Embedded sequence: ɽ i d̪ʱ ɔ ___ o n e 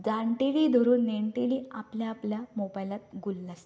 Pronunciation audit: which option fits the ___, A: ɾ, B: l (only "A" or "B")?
A